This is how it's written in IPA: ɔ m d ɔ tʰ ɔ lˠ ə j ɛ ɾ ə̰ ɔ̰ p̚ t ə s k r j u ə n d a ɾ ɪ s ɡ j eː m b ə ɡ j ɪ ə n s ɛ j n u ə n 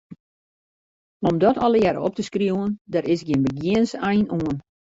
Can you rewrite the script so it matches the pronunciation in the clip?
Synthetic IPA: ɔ m d ɔ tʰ ɔ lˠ ə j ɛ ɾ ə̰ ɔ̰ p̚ t ə s k r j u ə n d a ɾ ɪ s ɡ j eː n b ə ɡ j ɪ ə n s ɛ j n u ə n